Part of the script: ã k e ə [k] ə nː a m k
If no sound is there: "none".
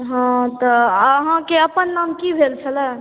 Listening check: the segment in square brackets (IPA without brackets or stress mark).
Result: p